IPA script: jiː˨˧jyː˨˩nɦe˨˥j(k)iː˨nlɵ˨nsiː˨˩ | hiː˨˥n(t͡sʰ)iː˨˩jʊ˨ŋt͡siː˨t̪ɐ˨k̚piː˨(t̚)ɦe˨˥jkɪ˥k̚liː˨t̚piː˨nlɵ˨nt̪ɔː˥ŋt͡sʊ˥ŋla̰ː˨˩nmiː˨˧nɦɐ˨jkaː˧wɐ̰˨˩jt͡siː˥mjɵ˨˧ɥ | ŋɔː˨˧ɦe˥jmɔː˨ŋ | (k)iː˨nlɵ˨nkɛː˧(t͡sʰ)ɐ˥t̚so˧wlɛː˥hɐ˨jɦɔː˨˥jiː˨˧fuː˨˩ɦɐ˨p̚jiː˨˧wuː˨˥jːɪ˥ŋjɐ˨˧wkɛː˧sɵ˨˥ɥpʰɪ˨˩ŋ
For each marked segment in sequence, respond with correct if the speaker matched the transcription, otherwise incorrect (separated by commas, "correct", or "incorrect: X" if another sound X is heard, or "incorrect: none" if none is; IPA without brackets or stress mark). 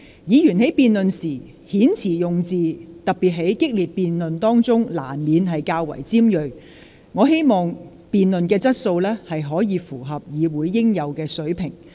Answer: incorrect: p, correct, correct, incorrect: p, incorrect: t͡s